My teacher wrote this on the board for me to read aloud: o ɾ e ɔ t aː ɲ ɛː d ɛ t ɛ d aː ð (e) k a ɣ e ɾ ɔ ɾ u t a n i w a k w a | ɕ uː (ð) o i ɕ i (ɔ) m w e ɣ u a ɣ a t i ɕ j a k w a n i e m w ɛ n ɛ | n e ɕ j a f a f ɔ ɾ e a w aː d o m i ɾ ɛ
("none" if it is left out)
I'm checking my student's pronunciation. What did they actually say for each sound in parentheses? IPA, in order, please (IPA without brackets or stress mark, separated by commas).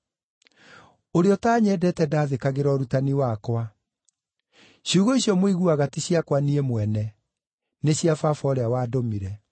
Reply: e, ɣ, ɔ